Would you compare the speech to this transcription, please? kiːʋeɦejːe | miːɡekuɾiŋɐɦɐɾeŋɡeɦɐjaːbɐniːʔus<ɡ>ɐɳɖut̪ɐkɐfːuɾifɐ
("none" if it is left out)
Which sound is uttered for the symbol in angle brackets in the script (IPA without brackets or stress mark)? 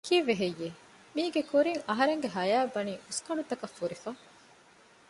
k